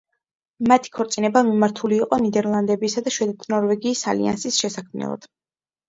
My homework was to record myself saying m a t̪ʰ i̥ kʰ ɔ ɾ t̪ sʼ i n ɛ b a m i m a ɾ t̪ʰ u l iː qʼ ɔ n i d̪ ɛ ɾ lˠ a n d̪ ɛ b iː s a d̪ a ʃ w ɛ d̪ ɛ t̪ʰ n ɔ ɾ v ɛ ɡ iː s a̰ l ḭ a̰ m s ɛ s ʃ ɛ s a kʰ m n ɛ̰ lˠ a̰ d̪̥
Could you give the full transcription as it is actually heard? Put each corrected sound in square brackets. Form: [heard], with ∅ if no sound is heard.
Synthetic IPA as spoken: m a t̪ʰ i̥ kʰ ɔ ɾ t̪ sʼ i n ɛ b a m i m a ɾ t̪ʰ u l iː qʼ ɔ n i d̪ ɛ ɾ lˠ a n d̪ ɛ b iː s a d̪ a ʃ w ɛ d̪ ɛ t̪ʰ n ɔ ɾ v ɛ ɡ iː s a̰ l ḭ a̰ [n] s [i] s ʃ ɛ s a kʰ m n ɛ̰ lˠ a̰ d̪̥